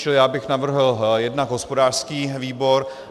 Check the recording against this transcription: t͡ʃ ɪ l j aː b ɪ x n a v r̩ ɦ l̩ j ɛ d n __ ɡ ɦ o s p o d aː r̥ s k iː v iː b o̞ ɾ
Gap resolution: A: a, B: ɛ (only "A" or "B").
A